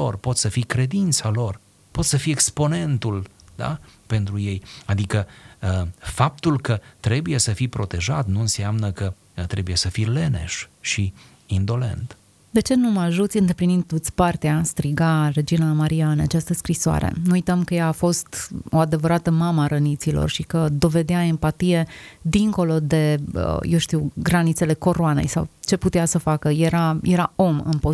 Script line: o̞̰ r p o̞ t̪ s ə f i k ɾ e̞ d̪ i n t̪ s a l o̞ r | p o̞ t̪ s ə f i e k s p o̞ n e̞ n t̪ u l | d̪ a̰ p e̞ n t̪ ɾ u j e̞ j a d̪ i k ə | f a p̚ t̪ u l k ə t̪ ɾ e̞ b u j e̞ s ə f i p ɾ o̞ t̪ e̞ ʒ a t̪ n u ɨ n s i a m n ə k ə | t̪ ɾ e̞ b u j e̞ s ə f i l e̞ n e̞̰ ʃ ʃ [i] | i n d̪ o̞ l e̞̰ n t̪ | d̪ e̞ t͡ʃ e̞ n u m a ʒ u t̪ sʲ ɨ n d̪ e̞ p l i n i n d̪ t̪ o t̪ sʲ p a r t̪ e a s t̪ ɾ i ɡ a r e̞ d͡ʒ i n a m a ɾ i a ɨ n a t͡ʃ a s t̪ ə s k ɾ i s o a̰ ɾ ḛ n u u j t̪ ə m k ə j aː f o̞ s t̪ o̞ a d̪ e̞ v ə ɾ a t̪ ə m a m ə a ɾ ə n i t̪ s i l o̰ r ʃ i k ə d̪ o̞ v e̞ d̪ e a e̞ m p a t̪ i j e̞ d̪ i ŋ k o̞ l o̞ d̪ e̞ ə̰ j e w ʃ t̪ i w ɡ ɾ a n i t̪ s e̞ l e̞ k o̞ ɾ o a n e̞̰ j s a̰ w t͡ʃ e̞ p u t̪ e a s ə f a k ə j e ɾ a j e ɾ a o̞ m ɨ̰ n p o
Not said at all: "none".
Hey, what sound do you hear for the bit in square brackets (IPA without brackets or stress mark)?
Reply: i